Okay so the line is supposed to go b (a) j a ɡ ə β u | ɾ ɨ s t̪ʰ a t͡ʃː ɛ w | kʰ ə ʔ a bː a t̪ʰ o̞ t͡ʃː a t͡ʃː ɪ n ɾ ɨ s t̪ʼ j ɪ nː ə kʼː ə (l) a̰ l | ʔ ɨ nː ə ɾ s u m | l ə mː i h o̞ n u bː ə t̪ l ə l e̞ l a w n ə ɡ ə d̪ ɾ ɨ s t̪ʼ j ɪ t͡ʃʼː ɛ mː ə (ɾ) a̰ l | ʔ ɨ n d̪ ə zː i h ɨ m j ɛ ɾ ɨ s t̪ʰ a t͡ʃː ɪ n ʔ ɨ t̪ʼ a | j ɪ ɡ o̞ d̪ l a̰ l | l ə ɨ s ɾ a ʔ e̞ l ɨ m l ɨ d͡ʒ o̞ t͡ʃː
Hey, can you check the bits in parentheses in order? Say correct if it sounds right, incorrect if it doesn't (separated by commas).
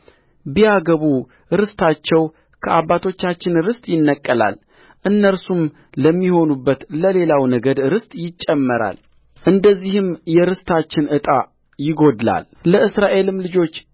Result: incorrect, correct, correct